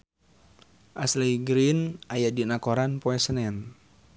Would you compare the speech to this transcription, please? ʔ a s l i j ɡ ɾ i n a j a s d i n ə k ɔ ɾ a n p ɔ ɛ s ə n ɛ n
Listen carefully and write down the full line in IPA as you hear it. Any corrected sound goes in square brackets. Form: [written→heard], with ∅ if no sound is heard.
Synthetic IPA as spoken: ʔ a s l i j ɡ ɾ i n a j a [s→∅] d i n [ə→a] k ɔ ɾ a n p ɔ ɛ s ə n ɛ n